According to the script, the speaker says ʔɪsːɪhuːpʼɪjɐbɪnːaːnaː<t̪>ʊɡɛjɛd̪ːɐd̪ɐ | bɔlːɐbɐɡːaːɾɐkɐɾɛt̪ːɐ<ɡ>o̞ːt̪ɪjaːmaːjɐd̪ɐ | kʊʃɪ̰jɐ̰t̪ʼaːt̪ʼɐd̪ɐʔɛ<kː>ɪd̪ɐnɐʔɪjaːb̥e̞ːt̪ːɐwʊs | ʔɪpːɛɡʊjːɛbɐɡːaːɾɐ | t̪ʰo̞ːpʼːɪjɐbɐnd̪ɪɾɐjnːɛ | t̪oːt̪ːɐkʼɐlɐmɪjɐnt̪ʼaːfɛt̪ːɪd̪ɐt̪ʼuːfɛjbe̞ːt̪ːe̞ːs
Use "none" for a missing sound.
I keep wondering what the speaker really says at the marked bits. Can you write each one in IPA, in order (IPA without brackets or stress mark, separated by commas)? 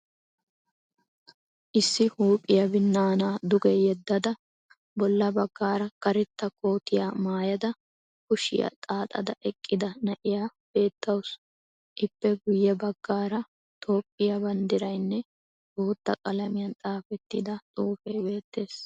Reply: d̪, k, kʼː